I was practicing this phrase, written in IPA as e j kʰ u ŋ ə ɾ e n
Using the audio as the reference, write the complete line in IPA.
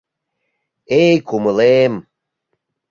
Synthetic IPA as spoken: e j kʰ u m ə l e m

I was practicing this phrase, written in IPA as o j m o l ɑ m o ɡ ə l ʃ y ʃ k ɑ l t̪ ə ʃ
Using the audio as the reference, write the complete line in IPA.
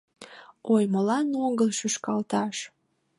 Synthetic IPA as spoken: o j m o l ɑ n o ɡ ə l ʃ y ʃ k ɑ l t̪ ɑ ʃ

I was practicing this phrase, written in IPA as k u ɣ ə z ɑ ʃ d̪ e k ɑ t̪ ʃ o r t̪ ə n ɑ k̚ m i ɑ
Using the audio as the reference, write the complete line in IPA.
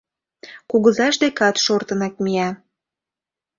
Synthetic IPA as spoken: k u ɣ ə z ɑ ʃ d̪ e k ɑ t̪ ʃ o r t̪ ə n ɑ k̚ m i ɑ

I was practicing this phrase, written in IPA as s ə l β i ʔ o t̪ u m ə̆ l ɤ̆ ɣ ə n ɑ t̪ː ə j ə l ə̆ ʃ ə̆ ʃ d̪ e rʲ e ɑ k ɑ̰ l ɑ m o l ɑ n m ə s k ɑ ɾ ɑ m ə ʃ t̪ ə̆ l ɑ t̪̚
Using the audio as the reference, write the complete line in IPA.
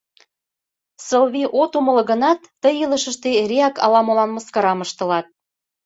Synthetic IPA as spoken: s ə l β i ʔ o t̪ u m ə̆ l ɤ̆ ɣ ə n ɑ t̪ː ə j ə l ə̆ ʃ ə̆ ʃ t̪ e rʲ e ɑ k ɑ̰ l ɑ m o l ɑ n m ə s k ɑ ɾ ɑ m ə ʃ t̪ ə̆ l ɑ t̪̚

